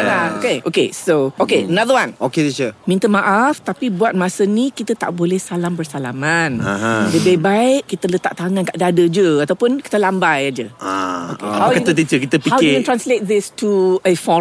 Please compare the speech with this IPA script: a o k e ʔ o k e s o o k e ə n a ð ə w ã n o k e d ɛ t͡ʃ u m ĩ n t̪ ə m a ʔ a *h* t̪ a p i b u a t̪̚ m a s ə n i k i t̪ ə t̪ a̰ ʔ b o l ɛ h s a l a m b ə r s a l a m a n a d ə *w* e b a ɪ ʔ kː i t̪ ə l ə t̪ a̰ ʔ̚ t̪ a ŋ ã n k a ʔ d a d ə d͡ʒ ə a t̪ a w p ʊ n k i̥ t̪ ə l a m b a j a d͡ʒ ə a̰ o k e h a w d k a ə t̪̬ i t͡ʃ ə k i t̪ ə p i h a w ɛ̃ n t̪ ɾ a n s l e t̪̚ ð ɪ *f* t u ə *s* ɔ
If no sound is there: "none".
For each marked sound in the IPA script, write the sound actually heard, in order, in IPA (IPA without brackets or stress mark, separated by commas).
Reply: f, b, s, f